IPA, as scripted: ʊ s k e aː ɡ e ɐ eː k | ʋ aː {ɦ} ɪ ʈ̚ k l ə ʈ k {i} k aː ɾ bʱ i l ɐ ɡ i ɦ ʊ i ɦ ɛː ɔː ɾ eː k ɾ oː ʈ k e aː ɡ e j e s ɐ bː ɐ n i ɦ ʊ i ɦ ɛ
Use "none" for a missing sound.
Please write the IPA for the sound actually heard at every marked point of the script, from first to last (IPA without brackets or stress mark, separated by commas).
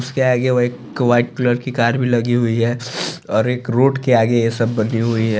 none, i